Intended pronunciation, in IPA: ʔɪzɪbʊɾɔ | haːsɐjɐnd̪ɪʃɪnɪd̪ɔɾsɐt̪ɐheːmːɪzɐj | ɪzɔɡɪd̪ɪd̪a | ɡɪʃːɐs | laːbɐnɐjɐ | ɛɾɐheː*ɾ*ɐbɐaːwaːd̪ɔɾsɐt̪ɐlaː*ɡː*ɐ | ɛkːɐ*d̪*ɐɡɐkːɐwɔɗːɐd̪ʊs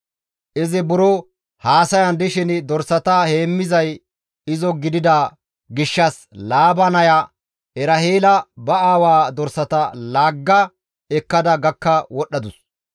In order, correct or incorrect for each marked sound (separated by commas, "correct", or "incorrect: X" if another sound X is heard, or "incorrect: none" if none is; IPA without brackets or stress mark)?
incorrect: l, correct, correct